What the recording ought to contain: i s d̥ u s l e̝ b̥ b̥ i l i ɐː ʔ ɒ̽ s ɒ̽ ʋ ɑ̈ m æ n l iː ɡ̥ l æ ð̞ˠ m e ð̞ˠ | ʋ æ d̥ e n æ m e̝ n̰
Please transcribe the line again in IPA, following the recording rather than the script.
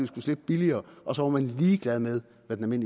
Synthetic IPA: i s ɡ̥ u s l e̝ b̥ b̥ i l i ɐː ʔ ɒ̽ s ɒ̽ ʋ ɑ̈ m æ n l iː ɡ̥ l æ ð̞ˠ m e ð̞ˠ | ʋ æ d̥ e n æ m e̝ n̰